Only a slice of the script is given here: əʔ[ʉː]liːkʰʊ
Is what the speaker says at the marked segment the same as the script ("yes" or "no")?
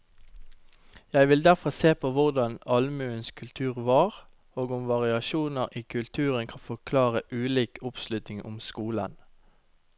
yes